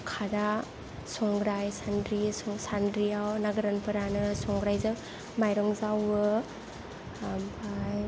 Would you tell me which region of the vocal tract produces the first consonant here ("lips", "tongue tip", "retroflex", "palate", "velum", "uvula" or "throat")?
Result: velum